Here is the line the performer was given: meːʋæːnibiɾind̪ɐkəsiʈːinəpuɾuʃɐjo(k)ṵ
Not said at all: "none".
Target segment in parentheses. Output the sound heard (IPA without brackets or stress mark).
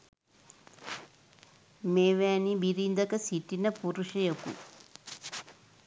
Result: k